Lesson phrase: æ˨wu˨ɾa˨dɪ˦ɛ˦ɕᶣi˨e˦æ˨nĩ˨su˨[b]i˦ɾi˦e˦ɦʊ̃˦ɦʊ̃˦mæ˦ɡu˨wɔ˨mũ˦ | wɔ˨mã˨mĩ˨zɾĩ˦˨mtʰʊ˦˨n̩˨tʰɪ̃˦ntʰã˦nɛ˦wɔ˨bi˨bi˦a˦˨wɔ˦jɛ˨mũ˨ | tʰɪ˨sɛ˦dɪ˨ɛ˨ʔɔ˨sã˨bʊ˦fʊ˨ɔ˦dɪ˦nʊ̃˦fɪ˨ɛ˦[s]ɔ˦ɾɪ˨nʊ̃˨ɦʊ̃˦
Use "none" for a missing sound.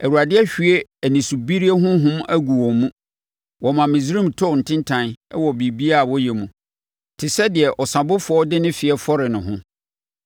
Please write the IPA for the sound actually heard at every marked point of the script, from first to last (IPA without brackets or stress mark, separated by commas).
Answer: b, f